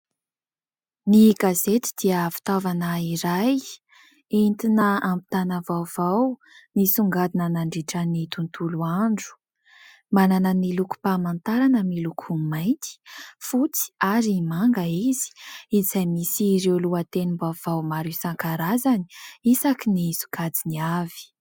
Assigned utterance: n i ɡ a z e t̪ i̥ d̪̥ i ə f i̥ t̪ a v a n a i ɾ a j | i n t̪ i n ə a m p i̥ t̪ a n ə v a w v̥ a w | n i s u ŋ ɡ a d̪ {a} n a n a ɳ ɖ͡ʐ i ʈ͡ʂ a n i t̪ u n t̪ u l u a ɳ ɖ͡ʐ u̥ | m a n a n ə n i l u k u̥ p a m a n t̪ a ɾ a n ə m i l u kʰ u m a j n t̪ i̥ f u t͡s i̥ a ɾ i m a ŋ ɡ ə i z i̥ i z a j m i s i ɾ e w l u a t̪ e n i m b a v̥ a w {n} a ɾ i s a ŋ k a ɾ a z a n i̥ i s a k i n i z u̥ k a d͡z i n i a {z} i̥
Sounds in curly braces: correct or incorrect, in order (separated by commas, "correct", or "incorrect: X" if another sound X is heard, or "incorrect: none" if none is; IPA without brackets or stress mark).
incorrect: i, incorrect: m, incorrect: v